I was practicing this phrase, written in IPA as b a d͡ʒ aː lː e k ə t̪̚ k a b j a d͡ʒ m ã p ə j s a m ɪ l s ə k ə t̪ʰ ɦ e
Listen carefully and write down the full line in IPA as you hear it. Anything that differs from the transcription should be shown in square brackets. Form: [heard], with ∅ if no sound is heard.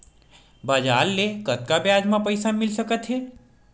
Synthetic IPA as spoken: b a d͡ʒ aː lː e k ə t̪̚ k a b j a d͡ʒ m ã p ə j s a m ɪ l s ə k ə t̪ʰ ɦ e